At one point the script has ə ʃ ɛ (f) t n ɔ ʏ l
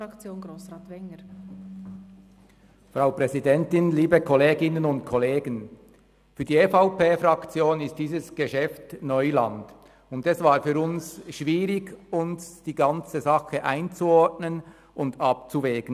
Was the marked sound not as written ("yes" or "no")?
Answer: no